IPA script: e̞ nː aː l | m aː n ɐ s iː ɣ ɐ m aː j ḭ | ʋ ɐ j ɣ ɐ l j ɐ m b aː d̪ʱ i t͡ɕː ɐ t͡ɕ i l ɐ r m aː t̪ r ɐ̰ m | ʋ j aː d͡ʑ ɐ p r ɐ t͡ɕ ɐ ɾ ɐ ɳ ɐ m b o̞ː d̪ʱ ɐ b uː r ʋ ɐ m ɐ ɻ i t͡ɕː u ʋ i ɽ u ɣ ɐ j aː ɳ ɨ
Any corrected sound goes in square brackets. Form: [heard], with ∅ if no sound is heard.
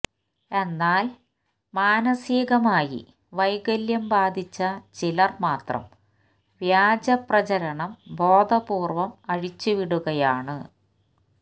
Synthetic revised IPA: e̞ nː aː l | m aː n ɐ s iː ɣ ɐ m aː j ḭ | ʋ ɐ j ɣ ɐ l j ɐ m b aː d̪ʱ i t͡ɕː ɐ t͡ɕ i l ɐ r m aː t̪ r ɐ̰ m | ʋ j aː d͡ʑ ɐ p r ɐ t͡ɕ ɐ ɾ ɐ ɳ ɐ m b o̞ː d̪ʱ ɐ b uː r ʋ ɐ m ɐ ɻ i t͡ɕː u ʋ i ɽ u ɣ ɐ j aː ɳ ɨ